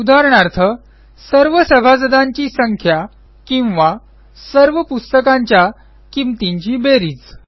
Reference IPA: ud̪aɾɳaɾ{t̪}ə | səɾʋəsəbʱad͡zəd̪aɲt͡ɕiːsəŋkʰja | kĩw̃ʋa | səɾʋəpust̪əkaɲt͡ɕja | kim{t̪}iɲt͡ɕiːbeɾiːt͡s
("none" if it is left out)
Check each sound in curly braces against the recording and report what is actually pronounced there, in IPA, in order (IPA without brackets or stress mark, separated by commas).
t̪ʰ, t̪